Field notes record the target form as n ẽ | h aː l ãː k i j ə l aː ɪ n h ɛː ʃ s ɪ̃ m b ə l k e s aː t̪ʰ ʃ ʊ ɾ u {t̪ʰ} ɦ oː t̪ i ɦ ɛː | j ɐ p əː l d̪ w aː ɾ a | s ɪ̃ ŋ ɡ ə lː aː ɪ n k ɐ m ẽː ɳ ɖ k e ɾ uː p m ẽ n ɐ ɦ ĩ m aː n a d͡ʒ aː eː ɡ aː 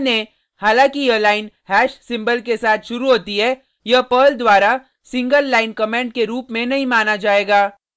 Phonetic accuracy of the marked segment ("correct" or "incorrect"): incorrect